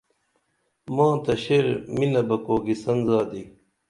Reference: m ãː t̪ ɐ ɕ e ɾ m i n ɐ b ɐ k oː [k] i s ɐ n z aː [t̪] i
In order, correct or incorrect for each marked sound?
incorrect, incorrect

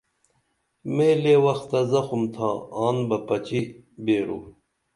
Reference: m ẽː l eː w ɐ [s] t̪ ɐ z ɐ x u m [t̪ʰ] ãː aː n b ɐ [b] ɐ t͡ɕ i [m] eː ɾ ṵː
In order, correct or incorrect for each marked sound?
incorrect, correct, incorrect, incorrect

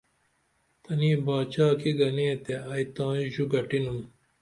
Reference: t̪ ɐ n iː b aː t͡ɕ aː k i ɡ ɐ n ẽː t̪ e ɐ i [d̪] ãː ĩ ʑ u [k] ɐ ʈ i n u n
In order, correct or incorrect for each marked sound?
incorrect, incorrect

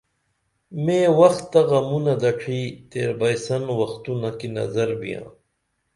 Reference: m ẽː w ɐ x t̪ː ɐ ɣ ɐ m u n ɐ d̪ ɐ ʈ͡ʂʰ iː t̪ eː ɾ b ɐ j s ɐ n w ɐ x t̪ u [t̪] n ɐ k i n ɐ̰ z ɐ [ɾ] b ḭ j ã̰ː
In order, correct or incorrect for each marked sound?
incorrect, correct

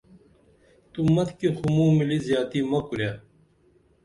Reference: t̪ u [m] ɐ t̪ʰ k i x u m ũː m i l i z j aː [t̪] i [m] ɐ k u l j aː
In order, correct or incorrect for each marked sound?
correct, correct, correct

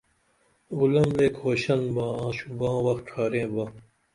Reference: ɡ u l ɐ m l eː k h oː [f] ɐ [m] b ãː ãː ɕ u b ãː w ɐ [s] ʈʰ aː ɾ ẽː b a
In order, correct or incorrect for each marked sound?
incorrect, incorrect, incorrect

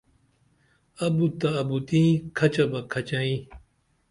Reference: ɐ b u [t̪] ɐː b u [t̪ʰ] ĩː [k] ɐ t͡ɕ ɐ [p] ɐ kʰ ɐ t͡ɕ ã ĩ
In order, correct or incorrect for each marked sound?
correct, incorrect, incorrect, incorrect

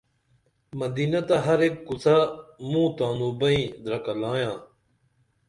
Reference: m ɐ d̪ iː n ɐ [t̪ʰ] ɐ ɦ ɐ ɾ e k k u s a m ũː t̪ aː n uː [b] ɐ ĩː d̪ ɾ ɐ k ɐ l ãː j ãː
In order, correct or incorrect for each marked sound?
incorrect, correct

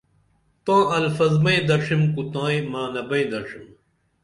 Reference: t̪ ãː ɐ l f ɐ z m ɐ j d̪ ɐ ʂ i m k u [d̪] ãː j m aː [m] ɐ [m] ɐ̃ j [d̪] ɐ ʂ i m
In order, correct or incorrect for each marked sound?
incorrect, incorrect, incorrect, correct

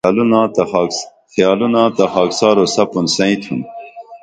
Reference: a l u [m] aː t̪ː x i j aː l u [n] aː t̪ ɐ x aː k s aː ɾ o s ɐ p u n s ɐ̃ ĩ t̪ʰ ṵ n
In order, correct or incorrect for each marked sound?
incorrect, correct

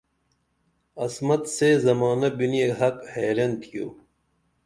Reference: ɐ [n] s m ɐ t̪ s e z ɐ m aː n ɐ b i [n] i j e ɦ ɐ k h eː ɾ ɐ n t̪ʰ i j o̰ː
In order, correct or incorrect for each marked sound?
incorrect, correct

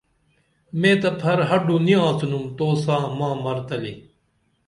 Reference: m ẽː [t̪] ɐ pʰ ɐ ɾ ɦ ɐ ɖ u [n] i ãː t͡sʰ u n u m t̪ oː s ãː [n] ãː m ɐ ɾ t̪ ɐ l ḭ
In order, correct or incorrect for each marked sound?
correct, correct, incorrect

